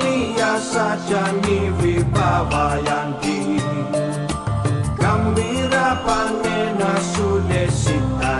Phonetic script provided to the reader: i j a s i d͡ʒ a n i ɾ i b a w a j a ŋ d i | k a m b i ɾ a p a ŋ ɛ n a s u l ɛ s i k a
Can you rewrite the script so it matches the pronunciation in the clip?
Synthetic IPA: i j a s a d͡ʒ a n i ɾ i b a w a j a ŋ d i | k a m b i ɾ a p a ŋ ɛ n a s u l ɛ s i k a